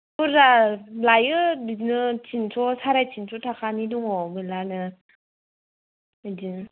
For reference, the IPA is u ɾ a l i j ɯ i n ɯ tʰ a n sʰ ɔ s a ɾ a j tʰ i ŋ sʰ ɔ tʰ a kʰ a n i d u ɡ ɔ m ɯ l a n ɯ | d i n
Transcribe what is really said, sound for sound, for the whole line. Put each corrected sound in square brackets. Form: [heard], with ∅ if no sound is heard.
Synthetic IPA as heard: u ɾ a l [a] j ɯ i n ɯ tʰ [i] n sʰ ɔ s a ɾ a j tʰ i [n] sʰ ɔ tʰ a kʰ a n i d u [ŋ] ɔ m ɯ l a n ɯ | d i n

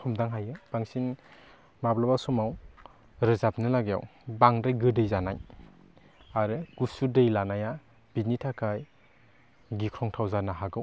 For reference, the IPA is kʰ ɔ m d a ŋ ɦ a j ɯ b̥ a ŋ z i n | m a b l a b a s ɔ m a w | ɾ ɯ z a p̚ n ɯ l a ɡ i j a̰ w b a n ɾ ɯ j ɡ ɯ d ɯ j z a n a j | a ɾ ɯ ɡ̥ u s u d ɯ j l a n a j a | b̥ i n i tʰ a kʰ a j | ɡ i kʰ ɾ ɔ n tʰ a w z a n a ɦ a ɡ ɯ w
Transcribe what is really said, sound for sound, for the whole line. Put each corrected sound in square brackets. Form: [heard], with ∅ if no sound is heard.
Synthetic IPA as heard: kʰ ɔ m d a ŋ ɦ a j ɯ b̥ a ŋ [s] i n | m a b l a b a s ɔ m a w | ɾ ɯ z a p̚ n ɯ l a ɡ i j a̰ w b a [ŋ] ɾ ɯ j ɡ ɯ d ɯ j z a n a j | a ɾ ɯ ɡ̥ u s u d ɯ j l a n a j a | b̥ i n i tʰ a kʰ a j | ɡ i kʰ ɾ ɔ [ŋ] tʰ a w z a n a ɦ a ɡ ɯ w

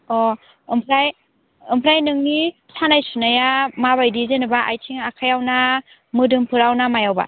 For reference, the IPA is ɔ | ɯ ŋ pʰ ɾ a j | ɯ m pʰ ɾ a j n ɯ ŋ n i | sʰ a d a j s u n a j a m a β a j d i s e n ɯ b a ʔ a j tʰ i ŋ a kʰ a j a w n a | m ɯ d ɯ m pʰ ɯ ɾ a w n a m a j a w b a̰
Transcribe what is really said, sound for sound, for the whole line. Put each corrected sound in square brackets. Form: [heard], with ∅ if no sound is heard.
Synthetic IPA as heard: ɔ | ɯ [m] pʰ ɾ a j | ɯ m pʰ ɾ a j n ɯ ŋ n i | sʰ a [n] a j s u n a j a m a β a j d i [z] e n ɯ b a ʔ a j tʰ i ŋ a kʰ a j a w n a | m ɯ d ɯ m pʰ ɯ ɾ a w n a m a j a w b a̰

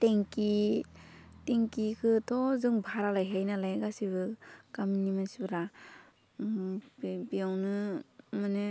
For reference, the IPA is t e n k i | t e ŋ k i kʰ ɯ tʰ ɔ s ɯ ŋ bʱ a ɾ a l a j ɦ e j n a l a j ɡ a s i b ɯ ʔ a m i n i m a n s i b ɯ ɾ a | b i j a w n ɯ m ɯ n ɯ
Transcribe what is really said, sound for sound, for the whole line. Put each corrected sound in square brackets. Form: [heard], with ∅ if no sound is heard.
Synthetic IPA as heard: t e [ŋ] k i | t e ŋ k i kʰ ɯ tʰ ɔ [z] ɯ ŋ bʱ a ɾ a l a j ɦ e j n a l a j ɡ a s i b ɯ [k] a m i n i m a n s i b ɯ ɾ a | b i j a w n ɯ m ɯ n ɯ

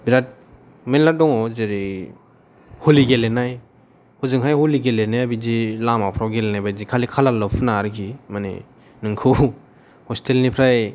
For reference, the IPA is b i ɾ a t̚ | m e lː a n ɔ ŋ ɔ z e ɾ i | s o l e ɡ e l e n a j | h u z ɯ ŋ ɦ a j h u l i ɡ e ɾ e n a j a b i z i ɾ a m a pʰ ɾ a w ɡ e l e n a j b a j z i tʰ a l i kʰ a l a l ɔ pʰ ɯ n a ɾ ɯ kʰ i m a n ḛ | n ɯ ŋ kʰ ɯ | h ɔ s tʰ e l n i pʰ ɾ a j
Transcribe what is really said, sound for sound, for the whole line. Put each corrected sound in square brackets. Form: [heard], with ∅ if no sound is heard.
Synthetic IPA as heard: b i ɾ a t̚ | m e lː a [d] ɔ ŋ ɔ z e ɾ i | [h] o l [i] ɡ e l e n a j | h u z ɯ ŋ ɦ a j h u l i ɡ e [l] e n a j a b i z i [l] a m a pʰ ɾ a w ɡ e l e n a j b a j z i [kʰ] a l i kʰ a l a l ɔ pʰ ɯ n a ɾ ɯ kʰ i m a n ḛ | n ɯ ŋ kʰ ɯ | h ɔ s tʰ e l n i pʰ ɾ a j

